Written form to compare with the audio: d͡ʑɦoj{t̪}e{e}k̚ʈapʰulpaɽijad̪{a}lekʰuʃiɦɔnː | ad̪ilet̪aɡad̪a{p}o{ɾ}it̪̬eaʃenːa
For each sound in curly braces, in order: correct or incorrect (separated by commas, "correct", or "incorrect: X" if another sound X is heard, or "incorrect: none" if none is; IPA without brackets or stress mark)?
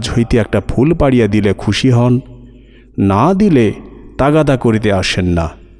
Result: correct, incorrect: ɛ, incorrect: i, incorrect: k, correct